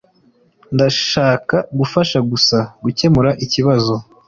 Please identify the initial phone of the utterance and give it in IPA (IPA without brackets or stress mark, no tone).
n